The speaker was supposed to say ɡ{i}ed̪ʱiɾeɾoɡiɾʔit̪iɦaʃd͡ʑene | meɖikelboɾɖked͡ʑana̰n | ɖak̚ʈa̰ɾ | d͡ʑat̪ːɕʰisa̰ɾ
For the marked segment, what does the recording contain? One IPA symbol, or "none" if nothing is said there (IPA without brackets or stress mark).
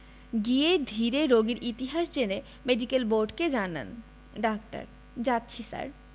i